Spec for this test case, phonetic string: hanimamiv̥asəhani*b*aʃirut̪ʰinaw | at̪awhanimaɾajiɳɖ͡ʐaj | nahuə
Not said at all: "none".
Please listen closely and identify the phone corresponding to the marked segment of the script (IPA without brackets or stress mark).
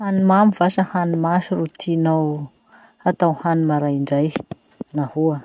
m